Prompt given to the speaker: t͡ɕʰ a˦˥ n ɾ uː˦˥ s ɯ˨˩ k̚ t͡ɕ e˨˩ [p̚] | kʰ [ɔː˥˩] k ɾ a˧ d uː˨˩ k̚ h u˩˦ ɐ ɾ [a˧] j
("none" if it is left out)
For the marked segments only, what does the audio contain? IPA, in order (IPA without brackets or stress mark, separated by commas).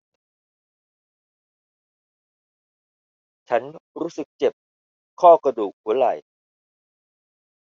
p̚, ɔː˥˩, a˨˩